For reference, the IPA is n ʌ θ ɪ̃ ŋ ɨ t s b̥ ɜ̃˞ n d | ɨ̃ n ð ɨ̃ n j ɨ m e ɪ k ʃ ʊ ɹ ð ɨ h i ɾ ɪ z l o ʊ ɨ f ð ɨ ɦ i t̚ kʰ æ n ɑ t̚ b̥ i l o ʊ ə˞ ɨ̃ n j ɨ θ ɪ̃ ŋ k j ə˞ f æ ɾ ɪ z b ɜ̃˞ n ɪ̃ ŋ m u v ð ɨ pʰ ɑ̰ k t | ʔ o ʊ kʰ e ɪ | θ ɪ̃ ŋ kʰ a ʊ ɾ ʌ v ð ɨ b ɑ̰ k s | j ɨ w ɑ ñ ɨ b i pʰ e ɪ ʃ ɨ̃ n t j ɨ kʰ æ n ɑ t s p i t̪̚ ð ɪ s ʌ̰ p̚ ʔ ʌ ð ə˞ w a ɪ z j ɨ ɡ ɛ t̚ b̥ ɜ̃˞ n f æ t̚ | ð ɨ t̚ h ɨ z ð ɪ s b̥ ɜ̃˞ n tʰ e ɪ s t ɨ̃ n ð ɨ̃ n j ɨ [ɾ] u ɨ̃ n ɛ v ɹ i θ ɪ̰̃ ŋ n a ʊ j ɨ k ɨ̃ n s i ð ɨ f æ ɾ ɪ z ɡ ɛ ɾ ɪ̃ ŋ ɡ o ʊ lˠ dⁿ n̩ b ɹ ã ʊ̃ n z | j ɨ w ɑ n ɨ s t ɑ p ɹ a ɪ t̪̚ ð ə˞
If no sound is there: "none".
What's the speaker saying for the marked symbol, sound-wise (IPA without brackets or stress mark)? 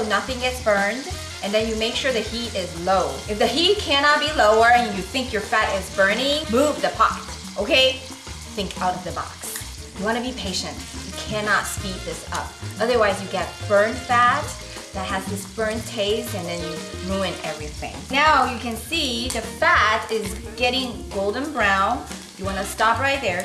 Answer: ɹ